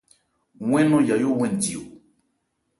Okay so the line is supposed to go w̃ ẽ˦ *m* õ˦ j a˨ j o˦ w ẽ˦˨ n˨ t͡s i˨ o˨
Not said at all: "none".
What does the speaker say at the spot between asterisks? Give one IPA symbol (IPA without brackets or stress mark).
n